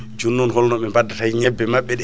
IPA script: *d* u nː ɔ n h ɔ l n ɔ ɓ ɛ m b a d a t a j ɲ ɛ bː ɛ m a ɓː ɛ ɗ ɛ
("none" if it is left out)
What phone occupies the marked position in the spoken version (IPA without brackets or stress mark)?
d͡ʒ